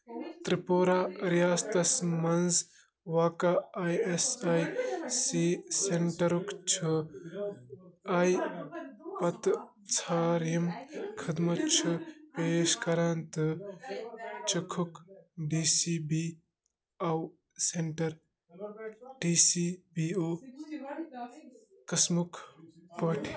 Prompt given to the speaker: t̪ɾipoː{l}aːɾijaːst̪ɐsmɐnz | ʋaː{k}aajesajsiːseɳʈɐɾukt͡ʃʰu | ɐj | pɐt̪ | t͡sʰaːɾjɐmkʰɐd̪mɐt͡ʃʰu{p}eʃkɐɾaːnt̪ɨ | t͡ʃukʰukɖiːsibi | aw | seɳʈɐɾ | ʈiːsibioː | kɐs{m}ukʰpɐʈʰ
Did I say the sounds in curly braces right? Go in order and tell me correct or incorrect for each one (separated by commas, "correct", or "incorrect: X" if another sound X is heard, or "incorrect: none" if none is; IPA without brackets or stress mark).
incorrect: ɾ, correct, correct, correct